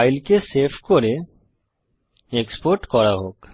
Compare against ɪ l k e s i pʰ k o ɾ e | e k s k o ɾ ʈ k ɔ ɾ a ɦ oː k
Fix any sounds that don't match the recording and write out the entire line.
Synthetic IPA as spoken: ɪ l k e s e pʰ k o ɾ e | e k s p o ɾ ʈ k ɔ ɾ a ɦ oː k